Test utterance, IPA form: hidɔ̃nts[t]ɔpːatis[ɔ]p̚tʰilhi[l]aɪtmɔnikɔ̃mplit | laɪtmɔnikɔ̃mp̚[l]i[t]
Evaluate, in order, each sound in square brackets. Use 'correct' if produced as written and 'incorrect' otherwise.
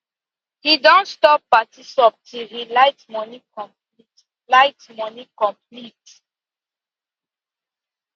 correct, correct, correct, correct, correct

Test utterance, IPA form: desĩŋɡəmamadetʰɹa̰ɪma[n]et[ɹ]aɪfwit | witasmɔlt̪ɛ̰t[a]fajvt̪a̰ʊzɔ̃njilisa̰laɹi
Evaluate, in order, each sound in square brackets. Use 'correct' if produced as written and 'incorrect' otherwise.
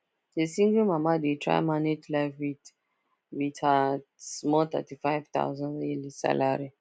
correct, incorrect, incorrect

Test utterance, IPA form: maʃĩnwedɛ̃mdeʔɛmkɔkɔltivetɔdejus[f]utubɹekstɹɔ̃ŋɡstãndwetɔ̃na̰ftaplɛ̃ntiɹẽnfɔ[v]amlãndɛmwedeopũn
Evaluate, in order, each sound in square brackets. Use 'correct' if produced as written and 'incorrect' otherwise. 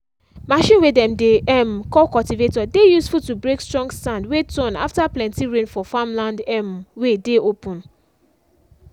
correct, incorrect

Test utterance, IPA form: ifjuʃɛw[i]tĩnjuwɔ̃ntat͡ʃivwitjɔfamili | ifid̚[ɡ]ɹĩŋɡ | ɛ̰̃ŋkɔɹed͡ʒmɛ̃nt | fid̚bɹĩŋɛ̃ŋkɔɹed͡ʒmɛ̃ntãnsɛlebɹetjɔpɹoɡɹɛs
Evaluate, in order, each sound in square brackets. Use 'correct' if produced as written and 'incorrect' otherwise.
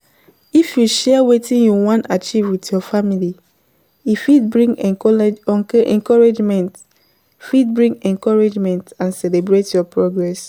incorrect, incorrect

